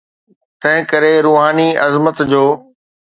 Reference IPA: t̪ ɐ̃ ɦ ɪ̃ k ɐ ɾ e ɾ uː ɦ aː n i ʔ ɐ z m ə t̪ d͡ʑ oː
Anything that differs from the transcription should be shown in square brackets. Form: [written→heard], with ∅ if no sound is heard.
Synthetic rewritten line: t̪ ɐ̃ ɦ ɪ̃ k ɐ ɾ e ɾ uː ɦ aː n i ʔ ɐ z m ə t̪ d͡ʑ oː